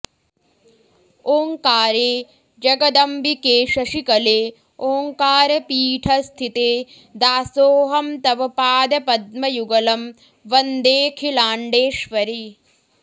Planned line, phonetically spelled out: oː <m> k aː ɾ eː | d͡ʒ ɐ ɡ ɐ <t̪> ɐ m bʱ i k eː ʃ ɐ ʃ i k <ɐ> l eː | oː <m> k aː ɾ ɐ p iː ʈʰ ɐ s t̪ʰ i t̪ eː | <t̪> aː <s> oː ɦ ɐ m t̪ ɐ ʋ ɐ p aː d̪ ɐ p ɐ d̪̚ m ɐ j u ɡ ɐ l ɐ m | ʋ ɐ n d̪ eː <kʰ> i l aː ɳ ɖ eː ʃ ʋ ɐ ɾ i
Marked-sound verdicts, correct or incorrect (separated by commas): incorrect, incorrect, correct, incorrect, incorrect, correct, correct